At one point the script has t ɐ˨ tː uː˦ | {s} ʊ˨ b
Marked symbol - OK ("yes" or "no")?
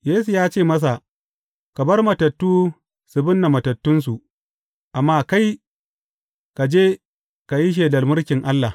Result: yes